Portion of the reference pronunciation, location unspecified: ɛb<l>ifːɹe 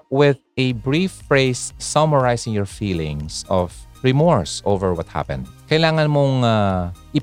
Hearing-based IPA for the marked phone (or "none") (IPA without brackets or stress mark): ɹ